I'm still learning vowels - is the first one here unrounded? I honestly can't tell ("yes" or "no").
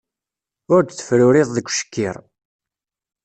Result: no